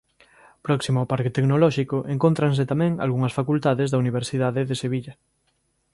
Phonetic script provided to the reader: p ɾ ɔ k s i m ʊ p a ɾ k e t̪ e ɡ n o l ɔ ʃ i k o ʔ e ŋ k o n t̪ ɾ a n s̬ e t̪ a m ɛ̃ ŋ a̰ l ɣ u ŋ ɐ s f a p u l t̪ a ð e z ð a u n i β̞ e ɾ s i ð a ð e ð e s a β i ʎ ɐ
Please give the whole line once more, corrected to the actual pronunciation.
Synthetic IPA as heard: p ɾ ɔ k s i m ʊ p a ɾ k e t̪ e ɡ n o l ɔ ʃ i k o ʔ e ŋ k o n t̪ ɾ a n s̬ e t̪ a m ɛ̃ ŋ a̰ l ɣ u ŋ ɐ s f a k u l t̪ a ð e z ð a u n i β̞ e ɾ s i ð a ð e ð e s e β i ʎ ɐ